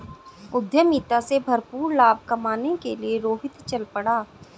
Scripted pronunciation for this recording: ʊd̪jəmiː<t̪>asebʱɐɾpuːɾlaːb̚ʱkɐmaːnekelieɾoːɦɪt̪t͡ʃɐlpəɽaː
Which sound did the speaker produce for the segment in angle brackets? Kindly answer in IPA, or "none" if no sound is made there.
t̪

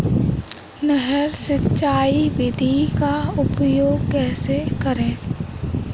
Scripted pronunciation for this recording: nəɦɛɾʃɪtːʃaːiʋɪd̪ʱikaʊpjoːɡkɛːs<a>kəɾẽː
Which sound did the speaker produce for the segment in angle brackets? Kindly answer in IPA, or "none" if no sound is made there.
e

